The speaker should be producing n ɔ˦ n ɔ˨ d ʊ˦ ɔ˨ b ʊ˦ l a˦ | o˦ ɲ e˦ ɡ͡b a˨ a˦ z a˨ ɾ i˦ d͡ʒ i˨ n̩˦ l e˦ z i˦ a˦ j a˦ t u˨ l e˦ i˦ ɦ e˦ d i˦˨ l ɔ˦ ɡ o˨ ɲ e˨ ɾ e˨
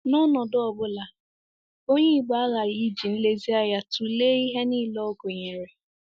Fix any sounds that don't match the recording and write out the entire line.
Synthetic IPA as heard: n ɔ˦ n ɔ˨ d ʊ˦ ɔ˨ b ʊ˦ l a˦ | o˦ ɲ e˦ ɡ͡b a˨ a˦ ɣ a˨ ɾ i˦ d͡ʒ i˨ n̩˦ l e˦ z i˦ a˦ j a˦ t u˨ l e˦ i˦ ɦ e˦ n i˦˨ l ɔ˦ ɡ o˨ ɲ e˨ ɾ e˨